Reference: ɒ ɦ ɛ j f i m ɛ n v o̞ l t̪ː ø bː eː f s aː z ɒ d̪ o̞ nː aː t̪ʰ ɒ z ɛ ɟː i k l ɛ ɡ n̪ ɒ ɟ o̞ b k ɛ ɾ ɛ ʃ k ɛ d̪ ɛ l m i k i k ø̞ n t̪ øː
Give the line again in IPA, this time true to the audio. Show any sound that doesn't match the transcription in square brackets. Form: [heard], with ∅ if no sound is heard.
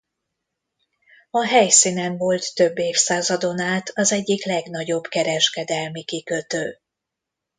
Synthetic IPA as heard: ɒ ɦ ɛ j [s] i [n] ɛ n v o̞ l t̪ː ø bː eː f s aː z ɒ d̪ o̞ [n] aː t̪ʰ ɒ z ɛ ɟː i k l ɛ ɡ n̪ ɒ ɟ o̞ b k ɛ ɾ ɛ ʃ k ɛ d̪ ɛ l m i k i k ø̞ [∅] t̪ øː